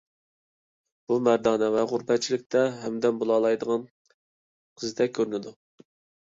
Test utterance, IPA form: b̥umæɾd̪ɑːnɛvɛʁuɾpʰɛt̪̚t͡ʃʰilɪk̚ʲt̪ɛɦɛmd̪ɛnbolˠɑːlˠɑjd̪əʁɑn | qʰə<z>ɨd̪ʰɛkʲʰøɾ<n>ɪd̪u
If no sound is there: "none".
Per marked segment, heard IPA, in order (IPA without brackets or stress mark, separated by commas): z, n